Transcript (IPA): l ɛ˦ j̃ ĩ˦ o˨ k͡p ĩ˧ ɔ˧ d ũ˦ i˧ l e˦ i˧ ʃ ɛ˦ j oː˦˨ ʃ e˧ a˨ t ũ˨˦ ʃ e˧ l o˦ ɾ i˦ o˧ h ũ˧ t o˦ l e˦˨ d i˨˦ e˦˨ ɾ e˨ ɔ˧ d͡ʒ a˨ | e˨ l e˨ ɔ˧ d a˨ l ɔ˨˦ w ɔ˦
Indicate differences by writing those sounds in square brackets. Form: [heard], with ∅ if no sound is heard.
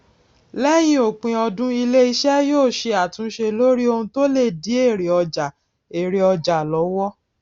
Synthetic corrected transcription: l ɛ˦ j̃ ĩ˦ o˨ k͡p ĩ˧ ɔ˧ d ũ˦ i˧ l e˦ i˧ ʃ ɛ˦ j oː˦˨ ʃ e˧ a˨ t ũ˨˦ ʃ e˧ l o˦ ɾ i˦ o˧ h ũ˧ t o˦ l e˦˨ d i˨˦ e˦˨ ɾ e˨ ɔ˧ d͡ʒ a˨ | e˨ [ɾ] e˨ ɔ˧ [d͡ʒ] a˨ l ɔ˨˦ w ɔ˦

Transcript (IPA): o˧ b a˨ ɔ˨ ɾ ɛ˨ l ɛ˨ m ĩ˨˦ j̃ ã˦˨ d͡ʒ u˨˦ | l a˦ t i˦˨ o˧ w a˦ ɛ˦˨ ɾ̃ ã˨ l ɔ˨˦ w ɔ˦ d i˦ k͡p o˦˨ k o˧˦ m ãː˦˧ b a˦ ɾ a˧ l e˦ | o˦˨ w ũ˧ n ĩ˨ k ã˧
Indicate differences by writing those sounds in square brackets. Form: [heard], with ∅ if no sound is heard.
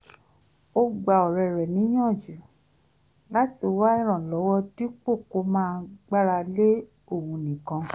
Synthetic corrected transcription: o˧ [ɡ͡b] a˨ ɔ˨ ɾ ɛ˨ [ɾ] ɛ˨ [n] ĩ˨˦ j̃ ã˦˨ d͡ʒ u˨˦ | l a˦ t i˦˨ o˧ w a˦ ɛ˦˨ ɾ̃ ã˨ l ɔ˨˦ w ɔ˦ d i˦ k͡p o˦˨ k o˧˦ m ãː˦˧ [ɡ͡b] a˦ ɾ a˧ l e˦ | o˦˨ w ũ˧ n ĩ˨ k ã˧

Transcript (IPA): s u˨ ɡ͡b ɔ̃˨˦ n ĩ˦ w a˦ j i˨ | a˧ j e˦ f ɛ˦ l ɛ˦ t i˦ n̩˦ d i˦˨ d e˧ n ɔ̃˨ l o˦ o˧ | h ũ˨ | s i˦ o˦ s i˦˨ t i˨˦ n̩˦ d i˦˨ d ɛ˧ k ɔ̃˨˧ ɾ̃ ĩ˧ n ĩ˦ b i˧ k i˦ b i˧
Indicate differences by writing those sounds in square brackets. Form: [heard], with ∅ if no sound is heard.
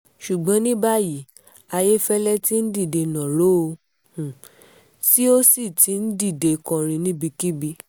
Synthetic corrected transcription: [ʃ] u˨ ɡ͡b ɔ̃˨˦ n ĩ˦ [b] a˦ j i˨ | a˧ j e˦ f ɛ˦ l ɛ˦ t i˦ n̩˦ d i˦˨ d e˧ n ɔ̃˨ [ɾ] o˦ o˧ | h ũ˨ | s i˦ o˦ s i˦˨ t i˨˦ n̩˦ d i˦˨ d [e˧] k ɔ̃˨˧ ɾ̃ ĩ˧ n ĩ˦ b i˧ k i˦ b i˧

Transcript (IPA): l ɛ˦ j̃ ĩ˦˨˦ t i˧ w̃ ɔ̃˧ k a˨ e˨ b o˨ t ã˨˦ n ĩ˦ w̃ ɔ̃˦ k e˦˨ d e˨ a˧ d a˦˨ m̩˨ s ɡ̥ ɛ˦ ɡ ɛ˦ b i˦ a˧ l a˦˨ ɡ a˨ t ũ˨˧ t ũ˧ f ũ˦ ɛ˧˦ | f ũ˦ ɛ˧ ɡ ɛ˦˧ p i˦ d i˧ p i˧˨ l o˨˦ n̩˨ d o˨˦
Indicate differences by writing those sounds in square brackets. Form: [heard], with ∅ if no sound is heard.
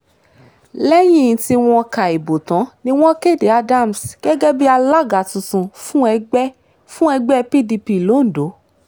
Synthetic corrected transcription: l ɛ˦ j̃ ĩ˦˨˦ t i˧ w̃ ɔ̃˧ k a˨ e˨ b o˨ t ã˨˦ n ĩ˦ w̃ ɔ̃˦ k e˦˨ d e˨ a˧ d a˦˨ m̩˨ s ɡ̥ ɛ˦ ɡ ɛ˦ b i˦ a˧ l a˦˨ ɡ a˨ t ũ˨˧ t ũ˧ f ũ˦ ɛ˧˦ | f ũ˦ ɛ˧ [ɡ͡b] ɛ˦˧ p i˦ d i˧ p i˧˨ l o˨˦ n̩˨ d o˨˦

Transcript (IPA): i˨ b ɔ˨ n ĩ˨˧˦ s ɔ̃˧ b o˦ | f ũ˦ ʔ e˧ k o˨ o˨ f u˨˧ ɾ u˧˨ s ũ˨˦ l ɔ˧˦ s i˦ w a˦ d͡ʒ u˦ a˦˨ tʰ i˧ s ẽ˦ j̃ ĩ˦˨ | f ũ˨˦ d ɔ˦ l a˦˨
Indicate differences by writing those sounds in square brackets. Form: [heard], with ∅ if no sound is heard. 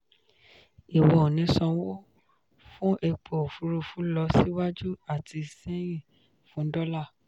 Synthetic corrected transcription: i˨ [w] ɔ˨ n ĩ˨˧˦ s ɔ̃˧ [w] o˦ | f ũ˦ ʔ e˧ [k͡p] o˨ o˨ f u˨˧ ɾ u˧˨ [f] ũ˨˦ l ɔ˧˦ s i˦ w a˦ d͡ʒ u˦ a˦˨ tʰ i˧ s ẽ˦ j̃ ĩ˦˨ | f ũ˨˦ d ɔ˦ l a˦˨

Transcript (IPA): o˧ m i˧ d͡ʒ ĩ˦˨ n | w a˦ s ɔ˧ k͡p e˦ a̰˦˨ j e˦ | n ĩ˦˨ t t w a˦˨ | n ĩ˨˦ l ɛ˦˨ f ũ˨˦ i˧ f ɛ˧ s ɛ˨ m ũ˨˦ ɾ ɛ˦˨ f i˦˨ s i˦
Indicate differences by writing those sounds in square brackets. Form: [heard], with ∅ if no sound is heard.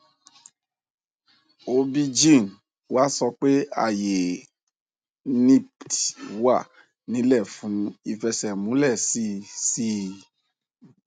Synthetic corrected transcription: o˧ [b] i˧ d͡ʒ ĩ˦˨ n | w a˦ s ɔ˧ k͡p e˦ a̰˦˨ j [e˨] | n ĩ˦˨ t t w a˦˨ | n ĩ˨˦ l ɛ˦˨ f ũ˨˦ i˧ f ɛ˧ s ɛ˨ m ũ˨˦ [l] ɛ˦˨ [s] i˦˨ s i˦

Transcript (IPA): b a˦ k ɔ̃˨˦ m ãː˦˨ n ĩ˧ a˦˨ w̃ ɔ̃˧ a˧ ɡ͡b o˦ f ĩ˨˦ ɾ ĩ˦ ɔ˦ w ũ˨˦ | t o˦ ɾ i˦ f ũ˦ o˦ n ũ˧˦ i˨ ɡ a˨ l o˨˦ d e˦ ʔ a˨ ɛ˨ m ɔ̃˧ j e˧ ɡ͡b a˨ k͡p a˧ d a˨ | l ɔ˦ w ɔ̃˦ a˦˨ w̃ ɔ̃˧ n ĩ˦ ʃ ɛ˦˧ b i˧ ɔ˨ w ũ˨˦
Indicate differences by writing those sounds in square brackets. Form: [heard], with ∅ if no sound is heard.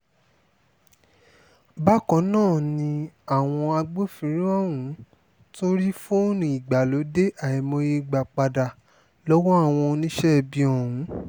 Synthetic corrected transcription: b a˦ k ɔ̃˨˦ [n] ãː˦˨ n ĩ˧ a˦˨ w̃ ɔ̃˧ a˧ ɡ͡b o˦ f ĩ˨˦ ɾ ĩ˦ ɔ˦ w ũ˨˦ | t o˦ ɾ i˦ f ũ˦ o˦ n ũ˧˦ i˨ [ɡ͡b] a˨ l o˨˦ d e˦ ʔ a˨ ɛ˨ m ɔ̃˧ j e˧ ɡ͡b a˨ k͡p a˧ d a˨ | l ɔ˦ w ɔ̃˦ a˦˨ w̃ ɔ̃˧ n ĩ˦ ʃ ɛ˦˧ b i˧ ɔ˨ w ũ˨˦

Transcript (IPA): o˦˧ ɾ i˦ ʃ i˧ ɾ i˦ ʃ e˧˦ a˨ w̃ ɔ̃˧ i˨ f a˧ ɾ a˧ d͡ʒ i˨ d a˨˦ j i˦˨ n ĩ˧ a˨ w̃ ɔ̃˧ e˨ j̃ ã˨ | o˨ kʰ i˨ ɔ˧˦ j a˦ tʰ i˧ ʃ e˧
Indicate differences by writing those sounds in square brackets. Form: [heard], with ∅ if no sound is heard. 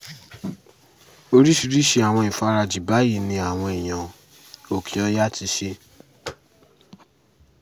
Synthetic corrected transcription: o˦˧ ɾ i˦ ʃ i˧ ɾ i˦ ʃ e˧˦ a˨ w̃ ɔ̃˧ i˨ f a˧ ɾ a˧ d͡ʒ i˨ [b] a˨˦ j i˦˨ n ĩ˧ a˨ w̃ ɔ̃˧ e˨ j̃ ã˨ | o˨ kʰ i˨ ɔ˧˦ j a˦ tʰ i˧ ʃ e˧

